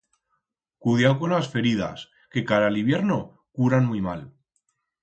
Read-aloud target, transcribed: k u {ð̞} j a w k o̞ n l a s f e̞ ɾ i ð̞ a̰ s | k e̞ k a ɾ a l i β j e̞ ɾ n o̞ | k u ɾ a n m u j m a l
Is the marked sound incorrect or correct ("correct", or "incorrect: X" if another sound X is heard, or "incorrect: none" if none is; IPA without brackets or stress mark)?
correct